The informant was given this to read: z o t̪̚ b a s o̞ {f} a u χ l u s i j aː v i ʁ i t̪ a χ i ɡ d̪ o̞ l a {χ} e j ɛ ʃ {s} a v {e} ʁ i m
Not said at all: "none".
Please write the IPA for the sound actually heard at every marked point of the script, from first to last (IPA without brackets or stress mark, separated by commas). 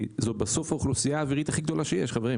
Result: f, ʃ, χ, e